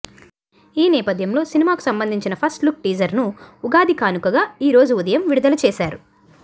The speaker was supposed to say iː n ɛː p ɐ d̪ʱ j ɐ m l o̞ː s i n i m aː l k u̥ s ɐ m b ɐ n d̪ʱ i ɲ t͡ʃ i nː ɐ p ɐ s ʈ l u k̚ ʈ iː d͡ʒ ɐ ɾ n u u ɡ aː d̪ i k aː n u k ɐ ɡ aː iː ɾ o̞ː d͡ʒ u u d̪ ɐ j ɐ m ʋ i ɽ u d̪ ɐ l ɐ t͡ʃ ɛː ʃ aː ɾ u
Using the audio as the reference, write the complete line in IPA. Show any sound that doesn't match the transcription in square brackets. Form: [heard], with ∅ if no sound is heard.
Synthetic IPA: iː n ɛː p ɐ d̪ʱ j ɐ m l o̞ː s i n i m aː [∅] k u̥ s ɐ m b ɐ n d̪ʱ i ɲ t͡ʃ i [n] ɐ [pʰ] ɐ s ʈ l u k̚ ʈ iː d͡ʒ ɐ ɾ n u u ɡ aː d̪ i k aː n u k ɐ ɡ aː iː ɾ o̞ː d͡ʒ u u d̪ ɐ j ɐ m ʋ i ɽ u d̪ ɐ l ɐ t͡ʃ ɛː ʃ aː ɾ u